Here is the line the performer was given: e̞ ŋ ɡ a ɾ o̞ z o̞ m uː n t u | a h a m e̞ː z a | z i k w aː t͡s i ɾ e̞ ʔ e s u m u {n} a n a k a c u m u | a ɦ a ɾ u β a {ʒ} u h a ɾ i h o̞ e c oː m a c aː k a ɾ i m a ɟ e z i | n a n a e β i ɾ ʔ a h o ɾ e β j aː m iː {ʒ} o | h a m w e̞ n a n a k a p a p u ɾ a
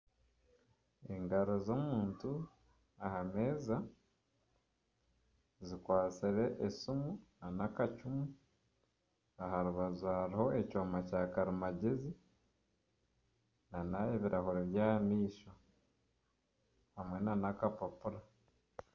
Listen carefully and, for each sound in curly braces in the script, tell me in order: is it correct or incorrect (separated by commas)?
correct, incorrect, incorrect